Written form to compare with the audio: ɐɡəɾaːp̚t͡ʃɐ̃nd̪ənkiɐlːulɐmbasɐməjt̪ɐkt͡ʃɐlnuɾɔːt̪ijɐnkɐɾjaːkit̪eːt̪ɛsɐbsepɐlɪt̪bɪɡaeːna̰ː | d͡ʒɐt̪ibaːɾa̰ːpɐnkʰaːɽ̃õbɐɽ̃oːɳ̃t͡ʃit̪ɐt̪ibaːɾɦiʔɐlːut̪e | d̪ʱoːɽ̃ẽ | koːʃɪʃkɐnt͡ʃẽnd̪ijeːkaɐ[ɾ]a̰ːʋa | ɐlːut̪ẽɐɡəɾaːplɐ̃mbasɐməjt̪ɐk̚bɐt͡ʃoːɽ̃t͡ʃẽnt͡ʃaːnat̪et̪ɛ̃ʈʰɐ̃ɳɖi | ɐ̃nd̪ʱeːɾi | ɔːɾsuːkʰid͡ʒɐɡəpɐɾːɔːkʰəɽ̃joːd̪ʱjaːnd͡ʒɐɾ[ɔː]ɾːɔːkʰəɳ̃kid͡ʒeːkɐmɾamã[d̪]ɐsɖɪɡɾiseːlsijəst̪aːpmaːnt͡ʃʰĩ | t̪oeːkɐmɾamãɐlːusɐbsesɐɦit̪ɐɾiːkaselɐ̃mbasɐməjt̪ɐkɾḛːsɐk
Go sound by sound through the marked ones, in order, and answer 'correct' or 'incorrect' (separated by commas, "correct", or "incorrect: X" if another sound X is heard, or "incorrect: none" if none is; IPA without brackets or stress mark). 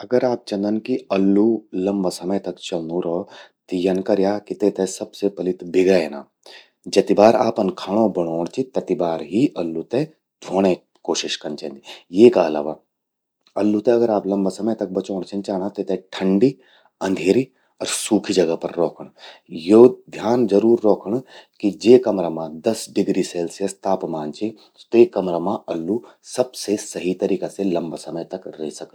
incorrect: l, incorrect: uː, correct